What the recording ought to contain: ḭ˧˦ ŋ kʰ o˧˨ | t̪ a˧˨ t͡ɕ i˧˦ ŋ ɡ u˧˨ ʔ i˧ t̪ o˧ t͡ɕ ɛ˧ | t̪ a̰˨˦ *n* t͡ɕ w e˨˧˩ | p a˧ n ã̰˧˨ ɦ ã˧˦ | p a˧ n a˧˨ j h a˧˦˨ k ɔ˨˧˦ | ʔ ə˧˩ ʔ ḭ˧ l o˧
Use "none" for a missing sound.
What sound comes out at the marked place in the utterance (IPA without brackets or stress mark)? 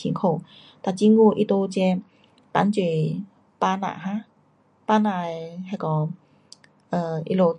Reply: n